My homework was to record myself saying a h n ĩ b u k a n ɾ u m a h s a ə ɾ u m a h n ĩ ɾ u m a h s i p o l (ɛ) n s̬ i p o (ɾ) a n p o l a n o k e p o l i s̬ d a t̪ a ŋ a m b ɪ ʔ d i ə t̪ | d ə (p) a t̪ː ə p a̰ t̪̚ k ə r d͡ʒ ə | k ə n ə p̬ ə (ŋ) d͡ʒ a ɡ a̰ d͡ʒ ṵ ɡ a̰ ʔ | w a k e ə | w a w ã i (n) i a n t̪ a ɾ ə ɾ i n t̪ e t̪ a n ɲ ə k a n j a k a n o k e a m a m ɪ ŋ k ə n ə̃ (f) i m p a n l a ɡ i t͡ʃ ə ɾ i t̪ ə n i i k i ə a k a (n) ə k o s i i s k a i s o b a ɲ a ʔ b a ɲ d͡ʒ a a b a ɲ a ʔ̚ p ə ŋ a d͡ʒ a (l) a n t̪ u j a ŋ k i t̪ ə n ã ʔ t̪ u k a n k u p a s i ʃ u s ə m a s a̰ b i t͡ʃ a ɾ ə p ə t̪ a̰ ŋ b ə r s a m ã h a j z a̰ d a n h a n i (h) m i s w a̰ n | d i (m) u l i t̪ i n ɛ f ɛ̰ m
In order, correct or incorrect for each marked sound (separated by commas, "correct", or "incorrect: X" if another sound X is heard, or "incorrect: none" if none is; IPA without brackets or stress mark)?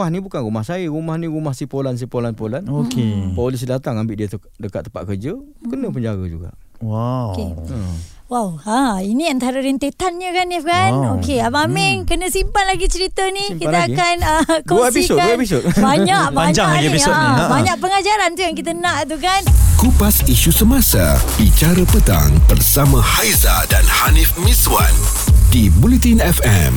incorrect: a, incorrect: l, incorrect: k, incorrect: ɲ, correct, incorrect: s, correct, incorrect: ɾ, incorrect: f, incorrect: b